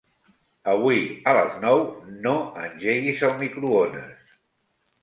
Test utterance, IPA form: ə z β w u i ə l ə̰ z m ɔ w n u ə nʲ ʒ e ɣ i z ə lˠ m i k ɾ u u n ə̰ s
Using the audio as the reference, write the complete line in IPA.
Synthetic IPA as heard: ə β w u i ə l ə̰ z n ɔ w n o ə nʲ ʒ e ɣ i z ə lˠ m i k ɾ u o n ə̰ s